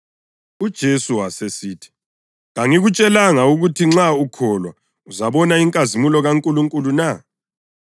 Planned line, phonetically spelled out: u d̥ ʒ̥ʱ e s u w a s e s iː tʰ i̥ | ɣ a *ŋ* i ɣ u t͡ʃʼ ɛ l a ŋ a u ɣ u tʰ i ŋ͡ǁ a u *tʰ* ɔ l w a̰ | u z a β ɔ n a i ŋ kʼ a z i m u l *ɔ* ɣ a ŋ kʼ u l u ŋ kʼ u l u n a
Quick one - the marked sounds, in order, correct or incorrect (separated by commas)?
correct, incorrect, correct